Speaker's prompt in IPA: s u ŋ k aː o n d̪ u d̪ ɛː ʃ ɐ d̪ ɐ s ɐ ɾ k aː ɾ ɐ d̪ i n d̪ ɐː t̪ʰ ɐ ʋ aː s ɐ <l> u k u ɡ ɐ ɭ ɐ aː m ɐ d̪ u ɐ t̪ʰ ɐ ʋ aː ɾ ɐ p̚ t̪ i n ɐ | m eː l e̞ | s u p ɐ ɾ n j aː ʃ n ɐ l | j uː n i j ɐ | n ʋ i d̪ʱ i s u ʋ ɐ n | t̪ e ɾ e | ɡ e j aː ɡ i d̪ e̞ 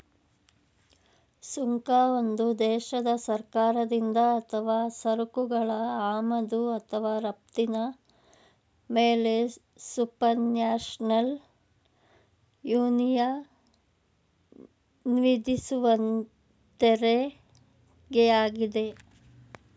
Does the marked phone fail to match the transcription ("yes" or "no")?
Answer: yes